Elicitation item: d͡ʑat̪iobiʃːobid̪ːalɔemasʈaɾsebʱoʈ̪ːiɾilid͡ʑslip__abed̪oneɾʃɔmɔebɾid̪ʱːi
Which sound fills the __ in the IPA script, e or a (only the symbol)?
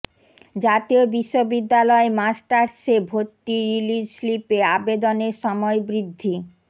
e